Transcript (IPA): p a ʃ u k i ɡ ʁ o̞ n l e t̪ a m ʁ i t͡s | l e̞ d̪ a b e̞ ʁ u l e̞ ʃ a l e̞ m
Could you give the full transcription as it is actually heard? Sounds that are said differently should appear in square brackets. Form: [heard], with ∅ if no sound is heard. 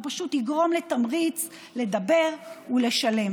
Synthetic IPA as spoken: p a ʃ u [t] i ɡ ʁ o̞ [m] l e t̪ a m ʁ i t͡s | l e̞ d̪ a b e̞ ʁ u l e̞ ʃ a l e̞ m